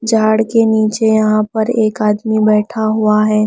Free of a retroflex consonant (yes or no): no